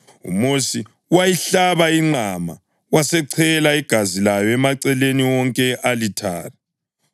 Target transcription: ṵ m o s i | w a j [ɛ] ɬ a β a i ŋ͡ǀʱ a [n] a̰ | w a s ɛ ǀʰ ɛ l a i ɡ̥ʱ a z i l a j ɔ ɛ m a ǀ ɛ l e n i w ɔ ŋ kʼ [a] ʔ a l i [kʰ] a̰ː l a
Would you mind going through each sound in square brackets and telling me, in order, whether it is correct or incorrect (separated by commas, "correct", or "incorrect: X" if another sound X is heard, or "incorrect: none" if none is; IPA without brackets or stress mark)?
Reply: incorrect: i, incorrect: m, incorrect: ɛ, incorrect: tʰ